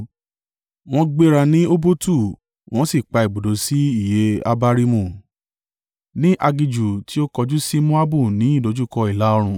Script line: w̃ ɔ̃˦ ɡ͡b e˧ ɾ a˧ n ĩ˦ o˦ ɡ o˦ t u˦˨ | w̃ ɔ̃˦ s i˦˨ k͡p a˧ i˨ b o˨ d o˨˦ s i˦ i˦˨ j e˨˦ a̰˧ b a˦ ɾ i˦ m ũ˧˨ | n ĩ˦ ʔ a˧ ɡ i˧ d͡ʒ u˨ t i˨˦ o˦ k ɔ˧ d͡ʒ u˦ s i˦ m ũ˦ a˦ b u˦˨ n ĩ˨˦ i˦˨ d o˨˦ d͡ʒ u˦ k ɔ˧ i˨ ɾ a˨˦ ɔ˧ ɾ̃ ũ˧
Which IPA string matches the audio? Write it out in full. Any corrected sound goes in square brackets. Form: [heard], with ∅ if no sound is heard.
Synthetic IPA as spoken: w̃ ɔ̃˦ ɡ͡b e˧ ɾ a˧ n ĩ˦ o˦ [b] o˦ t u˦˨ | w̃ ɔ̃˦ s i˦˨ k͡p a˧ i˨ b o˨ d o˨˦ s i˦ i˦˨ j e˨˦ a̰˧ b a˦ ɾ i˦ m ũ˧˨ | n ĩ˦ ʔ a˧ ɡ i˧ d͡ʒ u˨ t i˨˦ o˦ k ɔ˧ d͡ʒ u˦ s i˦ m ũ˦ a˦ b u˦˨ n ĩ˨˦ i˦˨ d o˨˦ d͡ʒ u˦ k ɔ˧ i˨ [l] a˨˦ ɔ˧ ɾ̃ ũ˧